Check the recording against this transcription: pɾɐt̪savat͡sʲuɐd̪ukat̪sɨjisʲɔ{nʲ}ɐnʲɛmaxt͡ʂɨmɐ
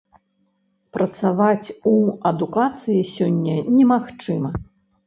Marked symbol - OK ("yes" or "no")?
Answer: no